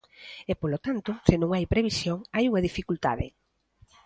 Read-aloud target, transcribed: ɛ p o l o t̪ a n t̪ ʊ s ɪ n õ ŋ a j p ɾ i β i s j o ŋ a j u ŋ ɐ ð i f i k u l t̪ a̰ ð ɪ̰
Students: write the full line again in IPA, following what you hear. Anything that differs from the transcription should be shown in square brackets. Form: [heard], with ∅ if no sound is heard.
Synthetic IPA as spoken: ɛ p o l o t̪ a n t̪ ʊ s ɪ n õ ŋ a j p ɾ [e] β i s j o ŋ a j u ŋ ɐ ð i f i k u l t̪ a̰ ð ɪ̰